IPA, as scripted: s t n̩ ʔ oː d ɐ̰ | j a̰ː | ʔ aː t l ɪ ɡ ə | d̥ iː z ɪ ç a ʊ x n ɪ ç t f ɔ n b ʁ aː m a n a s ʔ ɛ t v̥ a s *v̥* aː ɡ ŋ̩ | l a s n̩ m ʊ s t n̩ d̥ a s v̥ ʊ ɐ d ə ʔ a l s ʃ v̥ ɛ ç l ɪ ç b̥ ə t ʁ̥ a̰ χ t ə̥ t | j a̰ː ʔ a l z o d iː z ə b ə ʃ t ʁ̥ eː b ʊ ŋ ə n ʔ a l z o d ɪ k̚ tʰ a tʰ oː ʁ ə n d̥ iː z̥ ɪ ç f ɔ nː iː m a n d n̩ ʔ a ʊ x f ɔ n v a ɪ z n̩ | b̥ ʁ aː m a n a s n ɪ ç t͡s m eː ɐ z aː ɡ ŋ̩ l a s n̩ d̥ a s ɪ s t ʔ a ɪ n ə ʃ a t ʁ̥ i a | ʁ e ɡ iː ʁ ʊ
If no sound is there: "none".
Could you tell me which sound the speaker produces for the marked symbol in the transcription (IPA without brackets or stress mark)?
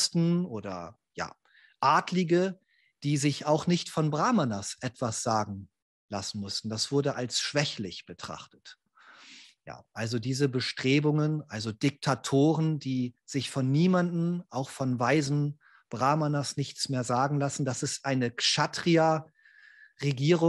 z̥